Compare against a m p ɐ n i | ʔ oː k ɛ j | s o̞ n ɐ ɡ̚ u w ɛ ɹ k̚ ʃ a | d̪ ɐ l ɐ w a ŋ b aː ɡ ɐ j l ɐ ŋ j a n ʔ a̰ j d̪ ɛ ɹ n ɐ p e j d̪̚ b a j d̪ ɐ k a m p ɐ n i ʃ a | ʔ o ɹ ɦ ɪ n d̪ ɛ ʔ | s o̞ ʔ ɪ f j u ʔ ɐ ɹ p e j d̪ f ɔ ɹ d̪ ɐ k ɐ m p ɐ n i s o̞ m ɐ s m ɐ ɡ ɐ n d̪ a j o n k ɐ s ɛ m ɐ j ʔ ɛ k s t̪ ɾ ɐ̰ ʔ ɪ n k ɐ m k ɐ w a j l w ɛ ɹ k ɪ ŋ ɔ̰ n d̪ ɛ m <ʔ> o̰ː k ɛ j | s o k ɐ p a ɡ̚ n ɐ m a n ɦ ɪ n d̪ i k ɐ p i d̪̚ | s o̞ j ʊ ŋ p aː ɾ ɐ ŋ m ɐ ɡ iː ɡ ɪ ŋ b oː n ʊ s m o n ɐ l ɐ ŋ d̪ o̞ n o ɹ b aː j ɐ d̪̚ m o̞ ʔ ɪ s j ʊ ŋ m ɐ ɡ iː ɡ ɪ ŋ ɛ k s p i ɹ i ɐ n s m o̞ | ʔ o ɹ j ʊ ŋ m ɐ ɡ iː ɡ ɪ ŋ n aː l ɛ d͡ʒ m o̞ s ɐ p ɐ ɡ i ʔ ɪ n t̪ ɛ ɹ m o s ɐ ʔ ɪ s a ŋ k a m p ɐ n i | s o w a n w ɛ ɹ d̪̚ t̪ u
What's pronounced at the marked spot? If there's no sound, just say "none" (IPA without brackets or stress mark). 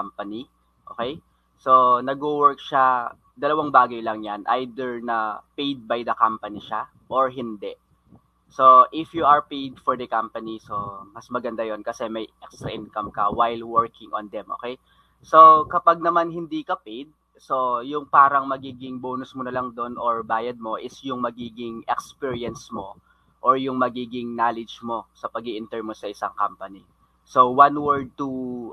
ʔ